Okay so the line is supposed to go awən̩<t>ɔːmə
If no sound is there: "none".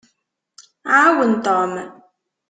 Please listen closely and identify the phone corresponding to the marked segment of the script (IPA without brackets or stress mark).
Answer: t